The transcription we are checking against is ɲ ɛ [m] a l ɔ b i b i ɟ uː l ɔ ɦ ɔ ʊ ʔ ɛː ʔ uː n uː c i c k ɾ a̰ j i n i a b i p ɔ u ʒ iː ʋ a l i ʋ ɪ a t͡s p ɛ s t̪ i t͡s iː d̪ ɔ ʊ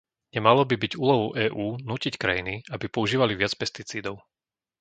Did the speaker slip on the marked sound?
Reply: no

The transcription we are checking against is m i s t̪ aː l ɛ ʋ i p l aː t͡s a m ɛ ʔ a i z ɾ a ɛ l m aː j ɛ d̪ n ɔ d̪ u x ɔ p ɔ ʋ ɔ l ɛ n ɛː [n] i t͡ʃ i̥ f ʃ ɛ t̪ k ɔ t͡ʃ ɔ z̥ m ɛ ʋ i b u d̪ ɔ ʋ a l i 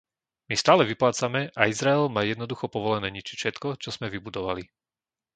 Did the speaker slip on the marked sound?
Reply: yes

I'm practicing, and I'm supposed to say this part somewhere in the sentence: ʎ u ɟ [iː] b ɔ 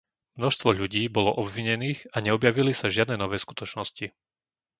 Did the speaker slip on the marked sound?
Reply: no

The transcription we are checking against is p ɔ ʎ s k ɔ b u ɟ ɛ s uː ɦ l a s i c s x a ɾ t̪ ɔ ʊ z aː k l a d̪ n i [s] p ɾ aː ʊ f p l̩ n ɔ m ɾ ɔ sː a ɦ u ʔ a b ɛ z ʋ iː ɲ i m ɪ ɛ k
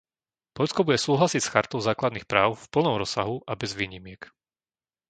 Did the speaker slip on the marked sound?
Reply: yes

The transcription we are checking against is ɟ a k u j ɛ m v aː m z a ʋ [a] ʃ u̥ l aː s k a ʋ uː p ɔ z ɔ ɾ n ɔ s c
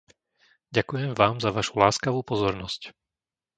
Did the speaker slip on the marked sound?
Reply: no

